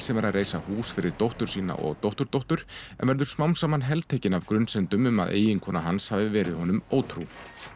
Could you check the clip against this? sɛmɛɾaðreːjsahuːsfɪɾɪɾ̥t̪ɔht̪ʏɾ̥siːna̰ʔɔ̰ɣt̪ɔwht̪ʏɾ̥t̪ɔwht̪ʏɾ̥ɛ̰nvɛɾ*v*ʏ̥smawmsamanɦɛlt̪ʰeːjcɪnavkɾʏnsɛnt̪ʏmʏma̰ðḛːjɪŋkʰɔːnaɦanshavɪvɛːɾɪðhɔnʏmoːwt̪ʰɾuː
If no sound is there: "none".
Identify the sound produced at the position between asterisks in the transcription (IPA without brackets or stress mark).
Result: ð